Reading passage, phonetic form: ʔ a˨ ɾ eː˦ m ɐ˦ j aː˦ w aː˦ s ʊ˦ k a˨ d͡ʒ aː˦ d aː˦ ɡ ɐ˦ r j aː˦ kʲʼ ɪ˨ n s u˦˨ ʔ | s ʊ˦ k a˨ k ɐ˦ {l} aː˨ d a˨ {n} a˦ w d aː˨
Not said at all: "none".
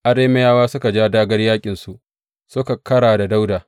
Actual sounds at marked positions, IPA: ɽ, d

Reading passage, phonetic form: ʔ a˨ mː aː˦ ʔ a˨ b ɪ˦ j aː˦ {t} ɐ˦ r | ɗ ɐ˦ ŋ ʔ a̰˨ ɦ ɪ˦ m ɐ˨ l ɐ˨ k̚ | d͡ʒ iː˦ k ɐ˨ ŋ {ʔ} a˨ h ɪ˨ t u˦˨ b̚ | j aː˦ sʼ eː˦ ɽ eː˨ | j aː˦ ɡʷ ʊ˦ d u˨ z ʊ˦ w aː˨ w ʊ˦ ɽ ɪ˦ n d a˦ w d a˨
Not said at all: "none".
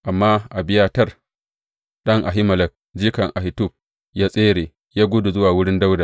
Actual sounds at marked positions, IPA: t, ʔ

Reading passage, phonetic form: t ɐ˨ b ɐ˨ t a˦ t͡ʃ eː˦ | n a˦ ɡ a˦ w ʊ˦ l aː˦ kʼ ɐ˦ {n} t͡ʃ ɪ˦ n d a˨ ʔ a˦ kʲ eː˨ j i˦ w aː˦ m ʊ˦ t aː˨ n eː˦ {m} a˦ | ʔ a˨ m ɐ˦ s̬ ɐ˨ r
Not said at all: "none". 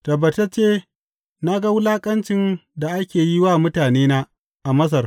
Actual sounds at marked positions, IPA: n, n

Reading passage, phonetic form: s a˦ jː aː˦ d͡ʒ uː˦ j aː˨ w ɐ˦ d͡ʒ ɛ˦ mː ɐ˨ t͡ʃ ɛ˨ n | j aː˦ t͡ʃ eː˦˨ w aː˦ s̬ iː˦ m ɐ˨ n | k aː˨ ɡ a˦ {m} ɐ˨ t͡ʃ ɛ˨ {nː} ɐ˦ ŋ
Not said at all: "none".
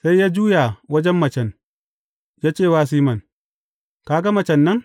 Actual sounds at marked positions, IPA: m, nː

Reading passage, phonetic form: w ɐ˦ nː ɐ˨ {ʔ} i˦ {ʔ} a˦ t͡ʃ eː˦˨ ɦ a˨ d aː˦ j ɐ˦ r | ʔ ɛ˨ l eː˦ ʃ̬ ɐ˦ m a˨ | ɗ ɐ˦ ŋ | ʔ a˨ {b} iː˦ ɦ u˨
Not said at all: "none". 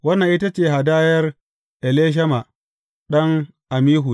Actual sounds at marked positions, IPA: ʔ, t, m

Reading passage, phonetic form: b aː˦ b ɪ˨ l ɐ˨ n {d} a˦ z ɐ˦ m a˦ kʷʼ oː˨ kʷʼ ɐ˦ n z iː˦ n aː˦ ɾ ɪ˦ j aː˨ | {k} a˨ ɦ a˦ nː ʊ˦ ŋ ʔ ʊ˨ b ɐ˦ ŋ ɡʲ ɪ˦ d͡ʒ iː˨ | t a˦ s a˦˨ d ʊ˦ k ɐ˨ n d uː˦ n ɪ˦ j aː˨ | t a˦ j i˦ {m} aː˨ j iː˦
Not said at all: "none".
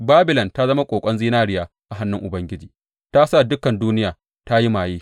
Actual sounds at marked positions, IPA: t, ʔ, m

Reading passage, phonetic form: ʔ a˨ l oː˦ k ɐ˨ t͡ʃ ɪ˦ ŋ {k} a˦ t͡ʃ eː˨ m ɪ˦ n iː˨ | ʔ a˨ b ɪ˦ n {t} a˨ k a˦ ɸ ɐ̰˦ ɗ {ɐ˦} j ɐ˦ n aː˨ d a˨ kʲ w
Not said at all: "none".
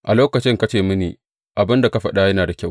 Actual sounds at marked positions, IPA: k, d, a˦

